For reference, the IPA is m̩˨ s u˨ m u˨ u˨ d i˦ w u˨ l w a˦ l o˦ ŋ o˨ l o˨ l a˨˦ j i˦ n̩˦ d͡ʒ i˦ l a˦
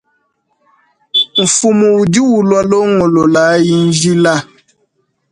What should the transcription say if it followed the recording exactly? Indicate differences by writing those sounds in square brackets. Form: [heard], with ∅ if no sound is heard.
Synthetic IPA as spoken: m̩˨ [f] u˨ m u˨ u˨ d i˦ w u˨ l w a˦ l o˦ ŋ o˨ l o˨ l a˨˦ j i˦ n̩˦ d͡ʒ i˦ l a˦